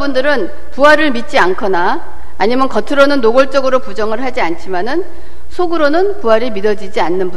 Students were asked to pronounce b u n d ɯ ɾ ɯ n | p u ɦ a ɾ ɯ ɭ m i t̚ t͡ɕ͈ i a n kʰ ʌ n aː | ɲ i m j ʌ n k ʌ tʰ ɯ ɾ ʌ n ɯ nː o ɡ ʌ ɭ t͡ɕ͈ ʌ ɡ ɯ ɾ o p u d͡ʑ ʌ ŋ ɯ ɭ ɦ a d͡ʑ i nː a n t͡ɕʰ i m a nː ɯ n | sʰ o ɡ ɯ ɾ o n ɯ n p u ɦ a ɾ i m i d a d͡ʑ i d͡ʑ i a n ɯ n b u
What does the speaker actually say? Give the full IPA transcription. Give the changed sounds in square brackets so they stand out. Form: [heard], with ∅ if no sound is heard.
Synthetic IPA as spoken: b u n d ɯ ɾ ɯ n | p u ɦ a ɾ ɯ ɭ m i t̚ t͡ɕ͈ i a n kʰ ʌ n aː | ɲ i m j ʌ n k ʌ tʰ ɯ ɾ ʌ n ɯ nː o ɡ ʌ ɭ t͡ɕ͈ ʌ ɡ ɯ ɾ o p u d͡ʑ ʌ ŋ ɯ ɭ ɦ a d͡ʑ i [∅] a n t͡ɕʰ i m a [n] ɯ n | sʰ o ɡ ɯ ɾ o n ɯ n p u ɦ a ɾ i m i d [ʌ] d͡ʑ i d͡ʑ i a [nː] ɯ n b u